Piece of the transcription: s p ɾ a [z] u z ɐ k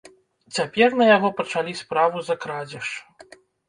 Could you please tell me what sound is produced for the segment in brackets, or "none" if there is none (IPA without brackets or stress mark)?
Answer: v